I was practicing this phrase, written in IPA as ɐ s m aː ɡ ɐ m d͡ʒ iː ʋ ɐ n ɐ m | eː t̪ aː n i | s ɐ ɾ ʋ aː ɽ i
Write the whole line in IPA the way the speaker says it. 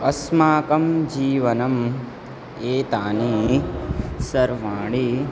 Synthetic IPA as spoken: ɐ s m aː k ɐ m d͡ʒ iː ʋ ɐ n ɐ m | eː t̪ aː n i | s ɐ ɾ ʋ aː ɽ i